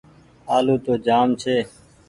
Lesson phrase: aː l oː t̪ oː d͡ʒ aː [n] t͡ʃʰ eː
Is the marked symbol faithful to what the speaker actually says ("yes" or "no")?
no